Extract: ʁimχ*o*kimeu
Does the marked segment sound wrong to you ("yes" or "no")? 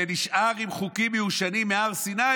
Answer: yes